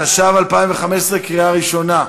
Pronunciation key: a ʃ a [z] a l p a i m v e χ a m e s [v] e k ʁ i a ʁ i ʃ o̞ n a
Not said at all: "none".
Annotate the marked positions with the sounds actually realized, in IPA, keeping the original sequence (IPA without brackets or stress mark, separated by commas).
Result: v, ʁ